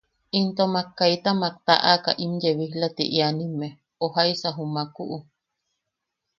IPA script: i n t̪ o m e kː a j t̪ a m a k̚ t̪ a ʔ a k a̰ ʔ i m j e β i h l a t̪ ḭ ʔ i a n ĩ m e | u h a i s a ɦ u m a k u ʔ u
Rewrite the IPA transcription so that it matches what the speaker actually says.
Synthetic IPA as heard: i n t̪ o m a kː a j t̪ a m a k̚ t̪ a ʔ a k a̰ ʔ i m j e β i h l a t̪ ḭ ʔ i a n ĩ m e | o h a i s a ɦ u m a k u ʔ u